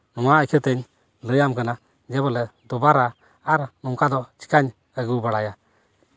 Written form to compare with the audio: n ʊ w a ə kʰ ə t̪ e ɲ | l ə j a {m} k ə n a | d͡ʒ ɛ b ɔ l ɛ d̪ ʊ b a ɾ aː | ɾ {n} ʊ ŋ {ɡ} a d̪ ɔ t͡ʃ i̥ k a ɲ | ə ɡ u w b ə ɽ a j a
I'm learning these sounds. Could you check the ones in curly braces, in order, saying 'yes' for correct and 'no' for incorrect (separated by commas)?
yes, yes, no